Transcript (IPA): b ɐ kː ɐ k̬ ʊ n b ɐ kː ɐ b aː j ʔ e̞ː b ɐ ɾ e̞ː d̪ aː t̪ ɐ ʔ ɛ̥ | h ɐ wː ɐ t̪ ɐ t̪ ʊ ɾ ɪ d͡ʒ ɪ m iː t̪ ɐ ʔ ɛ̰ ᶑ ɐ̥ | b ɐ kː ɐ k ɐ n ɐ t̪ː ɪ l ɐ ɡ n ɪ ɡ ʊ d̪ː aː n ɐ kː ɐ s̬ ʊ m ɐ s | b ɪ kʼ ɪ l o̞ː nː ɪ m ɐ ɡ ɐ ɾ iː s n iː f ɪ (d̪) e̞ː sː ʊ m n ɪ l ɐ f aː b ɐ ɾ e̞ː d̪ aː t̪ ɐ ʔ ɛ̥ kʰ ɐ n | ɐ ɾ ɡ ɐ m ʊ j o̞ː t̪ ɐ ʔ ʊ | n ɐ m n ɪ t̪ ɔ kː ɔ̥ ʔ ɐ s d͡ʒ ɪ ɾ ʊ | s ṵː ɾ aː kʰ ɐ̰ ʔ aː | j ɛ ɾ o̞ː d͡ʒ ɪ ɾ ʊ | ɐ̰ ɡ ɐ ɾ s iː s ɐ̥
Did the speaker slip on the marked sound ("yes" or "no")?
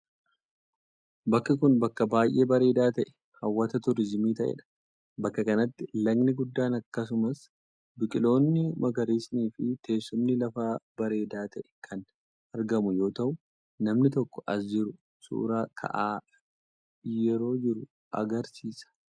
yes